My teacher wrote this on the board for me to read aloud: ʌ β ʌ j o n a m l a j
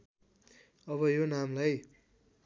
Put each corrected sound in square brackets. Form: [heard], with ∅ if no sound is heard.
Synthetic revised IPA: ʌ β ʌ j o n a m l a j